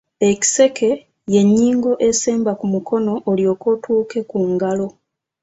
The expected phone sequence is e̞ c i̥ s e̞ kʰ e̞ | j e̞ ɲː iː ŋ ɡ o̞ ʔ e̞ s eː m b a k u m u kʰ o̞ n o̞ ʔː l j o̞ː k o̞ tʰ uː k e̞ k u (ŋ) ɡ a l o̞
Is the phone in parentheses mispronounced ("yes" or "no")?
no